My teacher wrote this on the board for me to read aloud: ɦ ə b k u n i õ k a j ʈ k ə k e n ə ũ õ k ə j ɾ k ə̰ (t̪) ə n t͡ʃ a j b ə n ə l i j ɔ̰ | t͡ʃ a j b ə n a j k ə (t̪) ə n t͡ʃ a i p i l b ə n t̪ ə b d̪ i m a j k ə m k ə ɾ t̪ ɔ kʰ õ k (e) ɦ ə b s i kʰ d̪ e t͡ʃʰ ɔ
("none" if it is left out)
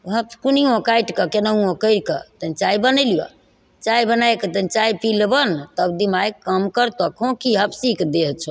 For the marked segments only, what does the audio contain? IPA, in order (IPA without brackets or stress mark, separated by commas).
t̪, t̪, i